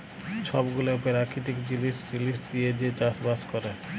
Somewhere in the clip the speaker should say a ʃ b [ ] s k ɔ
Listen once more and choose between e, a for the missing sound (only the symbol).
a